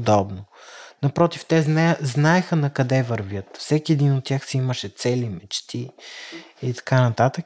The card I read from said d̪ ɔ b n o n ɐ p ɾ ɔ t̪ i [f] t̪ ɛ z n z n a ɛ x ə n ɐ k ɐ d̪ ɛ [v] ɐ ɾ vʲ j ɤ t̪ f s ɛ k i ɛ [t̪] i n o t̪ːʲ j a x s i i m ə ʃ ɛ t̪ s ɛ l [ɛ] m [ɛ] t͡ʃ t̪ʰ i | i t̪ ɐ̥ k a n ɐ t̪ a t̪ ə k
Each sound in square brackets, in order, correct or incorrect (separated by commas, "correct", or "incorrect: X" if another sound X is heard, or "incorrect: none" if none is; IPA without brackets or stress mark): correct, correct, incorrect: d̪, incorrect: i, correct